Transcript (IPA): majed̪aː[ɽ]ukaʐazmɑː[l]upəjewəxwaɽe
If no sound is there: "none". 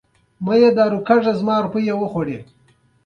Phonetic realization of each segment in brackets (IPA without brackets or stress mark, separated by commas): ɾ, ɾ